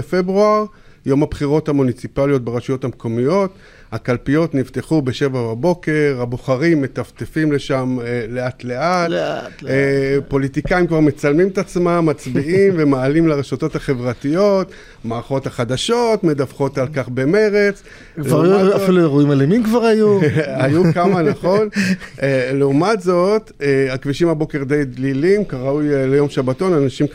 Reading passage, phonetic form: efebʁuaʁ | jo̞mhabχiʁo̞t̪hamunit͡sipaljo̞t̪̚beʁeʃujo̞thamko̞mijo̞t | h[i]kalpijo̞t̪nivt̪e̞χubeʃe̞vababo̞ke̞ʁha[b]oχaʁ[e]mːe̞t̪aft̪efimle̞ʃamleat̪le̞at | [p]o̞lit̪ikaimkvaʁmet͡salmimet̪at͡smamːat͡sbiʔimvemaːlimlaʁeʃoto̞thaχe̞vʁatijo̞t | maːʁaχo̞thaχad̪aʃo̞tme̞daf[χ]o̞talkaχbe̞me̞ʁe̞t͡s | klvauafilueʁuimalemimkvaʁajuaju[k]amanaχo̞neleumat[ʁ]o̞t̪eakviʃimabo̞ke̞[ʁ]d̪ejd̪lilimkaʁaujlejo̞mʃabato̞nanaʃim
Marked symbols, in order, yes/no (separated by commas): no, yes, no, yes, yes, yes, no, yes